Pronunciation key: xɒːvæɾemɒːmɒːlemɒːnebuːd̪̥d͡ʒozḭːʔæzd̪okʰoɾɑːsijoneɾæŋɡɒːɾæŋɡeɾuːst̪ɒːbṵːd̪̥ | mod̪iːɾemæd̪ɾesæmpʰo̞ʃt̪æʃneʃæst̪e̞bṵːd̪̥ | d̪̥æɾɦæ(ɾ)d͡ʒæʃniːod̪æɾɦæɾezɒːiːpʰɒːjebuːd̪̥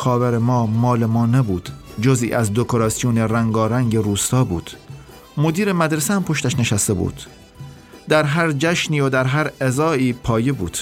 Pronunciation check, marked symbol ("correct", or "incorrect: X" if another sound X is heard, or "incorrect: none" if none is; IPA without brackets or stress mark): correct